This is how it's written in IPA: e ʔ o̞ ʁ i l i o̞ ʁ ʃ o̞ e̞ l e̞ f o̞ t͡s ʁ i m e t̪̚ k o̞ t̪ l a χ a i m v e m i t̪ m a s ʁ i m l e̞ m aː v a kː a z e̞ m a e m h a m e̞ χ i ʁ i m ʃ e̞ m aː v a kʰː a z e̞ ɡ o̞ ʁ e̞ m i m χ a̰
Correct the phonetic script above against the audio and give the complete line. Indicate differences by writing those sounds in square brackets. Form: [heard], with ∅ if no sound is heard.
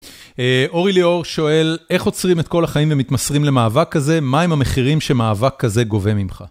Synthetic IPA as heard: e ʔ o̞ ʁ i l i o̞ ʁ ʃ o̞ e̞ l e̞ [χ] o̞ t͡s ʁ i m e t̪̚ k o̞ [∅] l a χ a i m v e m i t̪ m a s ʁ i m l e̞ m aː v a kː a z e̞ m a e m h a m e̞ χ i ʁ i m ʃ e̞ m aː v a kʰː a z e̞ ɡ o̞ [v] e̞ m i m χ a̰